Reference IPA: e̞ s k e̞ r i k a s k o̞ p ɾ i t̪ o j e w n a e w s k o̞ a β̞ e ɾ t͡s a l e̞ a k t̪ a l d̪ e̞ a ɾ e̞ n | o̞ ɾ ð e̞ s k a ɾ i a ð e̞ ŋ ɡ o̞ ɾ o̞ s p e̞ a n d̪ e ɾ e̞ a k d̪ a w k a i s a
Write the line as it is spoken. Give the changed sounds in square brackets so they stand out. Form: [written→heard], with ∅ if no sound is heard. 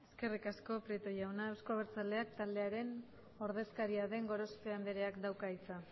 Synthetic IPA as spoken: e̞ s k e̞ r i k a s k o̞ p ɾ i t̪ o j [e→a] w n a e w s k o̞ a β̞ e ɾ t͡s a l e̞ a k t̪ a l d̪ e̞ a ɾ e̞ n | o̞ ɾ ð e̞ s k a ɾ i a ð e̞ ŋ ɡ o̞ ɾ o̞ s p e̞ a n d̪ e ɾ e̞ a k d̪ a w k a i [s→t͡s] a